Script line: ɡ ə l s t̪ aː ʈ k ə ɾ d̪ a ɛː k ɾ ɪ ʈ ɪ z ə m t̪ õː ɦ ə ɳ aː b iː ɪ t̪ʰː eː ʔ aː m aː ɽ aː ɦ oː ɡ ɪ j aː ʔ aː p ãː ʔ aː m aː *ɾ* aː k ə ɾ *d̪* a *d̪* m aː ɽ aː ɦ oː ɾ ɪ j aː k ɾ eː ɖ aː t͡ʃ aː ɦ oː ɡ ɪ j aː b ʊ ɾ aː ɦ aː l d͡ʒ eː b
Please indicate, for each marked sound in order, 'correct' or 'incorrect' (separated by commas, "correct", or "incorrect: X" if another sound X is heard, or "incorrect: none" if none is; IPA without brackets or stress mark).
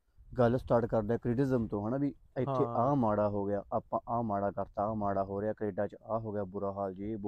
incorrect: ɽ, incorrect: t̪, incorrect: none